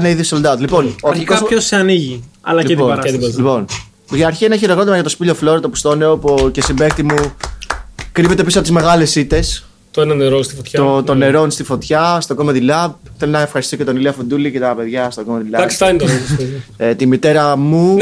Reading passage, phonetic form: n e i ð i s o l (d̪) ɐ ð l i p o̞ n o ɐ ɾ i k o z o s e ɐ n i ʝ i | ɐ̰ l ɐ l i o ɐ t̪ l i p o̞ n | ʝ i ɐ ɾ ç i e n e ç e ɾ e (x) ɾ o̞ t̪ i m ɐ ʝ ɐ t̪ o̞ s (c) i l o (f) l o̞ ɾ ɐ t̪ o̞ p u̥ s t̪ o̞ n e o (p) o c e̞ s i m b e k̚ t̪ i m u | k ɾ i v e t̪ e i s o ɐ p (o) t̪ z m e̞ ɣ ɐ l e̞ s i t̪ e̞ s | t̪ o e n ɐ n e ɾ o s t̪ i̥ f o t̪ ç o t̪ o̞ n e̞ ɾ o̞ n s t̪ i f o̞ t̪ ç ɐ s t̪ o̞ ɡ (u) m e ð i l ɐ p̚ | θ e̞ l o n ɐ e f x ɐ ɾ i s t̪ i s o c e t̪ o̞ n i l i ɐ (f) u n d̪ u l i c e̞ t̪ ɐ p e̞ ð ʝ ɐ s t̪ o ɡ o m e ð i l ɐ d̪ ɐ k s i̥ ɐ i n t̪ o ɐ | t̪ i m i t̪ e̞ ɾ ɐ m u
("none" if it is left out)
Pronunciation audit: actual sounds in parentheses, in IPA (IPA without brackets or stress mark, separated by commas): d̪, ɣ, p, f, p, o, o, f